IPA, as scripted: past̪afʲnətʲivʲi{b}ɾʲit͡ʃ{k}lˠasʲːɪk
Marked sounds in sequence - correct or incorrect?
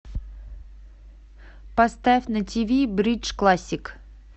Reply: correct, correct

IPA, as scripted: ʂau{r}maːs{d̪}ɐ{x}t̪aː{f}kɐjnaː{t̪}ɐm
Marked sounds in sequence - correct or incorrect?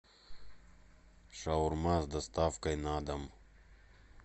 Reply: incorrect: ɾ, correct, incorrect: s, correct, incorrect: d̪

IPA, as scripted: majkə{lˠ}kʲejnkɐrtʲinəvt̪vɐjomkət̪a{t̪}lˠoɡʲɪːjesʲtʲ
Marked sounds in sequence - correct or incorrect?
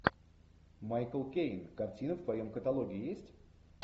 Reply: correct, incorrect: none

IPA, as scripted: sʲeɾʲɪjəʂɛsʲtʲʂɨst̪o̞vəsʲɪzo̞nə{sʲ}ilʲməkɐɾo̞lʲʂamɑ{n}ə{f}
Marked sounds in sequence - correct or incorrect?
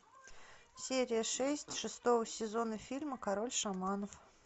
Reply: incorrect: fʲ, correct, correct

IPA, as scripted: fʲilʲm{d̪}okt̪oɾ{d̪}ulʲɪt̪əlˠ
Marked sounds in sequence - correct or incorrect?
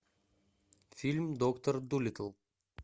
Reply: correct, correct

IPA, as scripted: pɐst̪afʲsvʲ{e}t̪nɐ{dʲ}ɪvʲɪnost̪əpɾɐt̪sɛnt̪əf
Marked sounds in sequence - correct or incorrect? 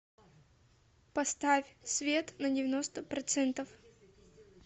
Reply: correct, correct

